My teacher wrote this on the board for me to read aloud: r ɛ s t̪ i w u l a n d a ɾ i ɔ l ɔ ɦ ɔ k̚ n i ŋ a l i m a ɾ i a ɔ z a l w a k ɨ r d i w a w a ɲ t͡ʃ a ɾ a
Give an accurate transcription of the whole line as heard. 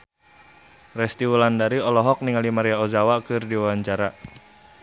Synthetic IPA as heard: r ɛ s t̪ i w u l a n d a ɾ i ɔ l ɔ ɦ ɔ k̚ n i ŋ a l i m a ɾ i a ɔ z a w a k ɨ r d i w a w a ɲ t͡ʃ a ɾ a

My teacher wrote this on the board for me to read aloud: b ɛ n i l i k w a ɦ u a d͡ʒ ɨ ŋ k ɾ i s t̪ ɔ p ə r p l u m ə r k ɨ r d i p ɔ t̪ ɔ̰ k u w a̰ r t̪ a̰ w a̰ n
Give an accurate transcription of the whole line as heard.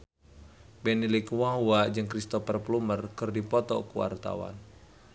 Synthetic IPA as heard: b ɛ n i l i k w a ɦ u a d͡ʒ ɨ ŋ k ɾ i s t̪ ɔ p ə r p l u m ə r k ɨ r d i p ɔ t̪ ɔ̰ k u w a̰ r t̪ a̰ w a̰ n

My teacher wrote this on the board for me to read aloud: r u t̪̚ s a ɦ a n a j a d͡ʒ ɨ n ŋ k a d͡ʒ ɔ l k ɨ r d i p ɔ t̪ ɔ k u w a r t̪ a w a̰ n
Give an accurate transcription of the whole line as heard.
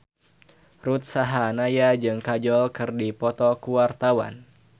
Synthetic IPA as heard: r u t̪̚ s a ɦ a n a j a d͡ʒ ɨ ŋ k a d͡ʒ ɔ l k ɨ r d i p ɔ t̪ ɔ k u w a r t̪ a w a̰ n

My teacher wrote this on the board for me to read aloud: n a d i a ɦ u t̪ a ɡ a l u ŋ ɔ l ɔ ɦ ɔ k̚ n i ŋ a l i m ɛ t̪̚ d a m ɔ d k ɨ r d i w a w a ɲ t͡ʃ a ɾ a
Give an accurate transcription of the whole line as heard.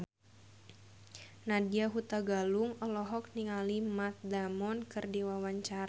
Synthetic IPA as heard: n a d i a ɦ u t̪ a ɡ a l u ŋ ɔ l ɔ ɦ ɔ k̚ n i ŋ a l i m a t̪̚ d a m ɔ n k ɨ r d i w a w a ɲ t͡ʃ a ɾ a

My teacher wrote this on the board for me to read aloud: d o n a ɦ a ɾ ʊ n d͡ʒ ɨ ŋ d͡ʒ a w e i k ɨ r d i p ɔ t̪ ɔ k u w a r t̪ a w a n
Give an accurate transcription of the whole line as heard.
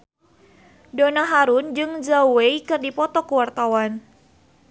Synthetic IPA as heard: d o n a ɦ a ɾ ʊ n d͡ʒ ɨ ŋ d͡ʒ a w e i k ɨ r d i p ɔ t̪ ɔ k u w a r t̪ a w a n

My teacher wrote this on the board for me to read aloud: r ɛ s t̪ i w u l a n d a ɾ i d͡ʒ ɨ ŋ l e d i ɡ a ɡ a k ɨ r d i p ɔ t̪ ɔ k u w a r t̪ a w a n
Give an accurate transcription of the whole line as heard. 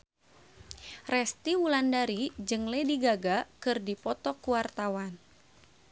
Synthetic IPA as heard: r ɛ s t̪ i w u l a n d a ɾ i d͡ʒ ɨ ŋ l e d i ɡ a ɡ a k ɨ r d i p ɔ t̪ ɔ k u w a r t̪ a w a n

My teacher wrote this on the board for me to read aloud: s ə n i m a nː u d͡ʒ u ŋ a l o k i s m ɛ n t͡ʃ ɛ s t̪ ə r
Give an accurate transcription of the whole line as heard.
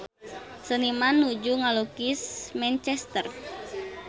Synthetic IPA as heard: s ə n i m a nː u d͡ʒ u ŋ a l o k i s m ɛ n t͡ʃ ɛ s t̪ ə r

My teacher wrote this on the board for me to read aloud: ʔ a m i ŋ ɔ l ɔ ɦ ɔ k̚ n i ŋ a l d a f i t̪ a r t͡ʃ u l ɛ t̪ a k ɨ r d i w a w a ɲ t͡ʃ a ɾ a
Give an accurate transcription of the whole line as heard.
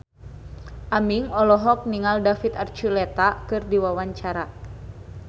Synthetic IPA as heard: ʔ a m i ŋ ɔ l ɔ ɦ ɔ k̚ n i ŋ a l d a f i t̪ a r t͡ʃ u l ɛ t̪ a k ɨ r d i w a w a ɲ t͡ʃ a ɾ a

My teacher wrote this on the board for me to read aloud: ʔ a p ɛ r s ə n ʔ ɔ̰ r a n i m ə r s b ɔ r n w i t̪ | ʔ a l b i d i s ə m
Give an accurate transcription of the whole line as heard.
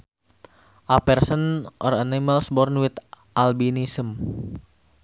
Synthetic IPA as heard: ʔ a p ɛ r s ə n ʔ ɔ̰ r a n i m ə l s b ɔ r n w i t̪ | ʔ a l b i n i s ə m

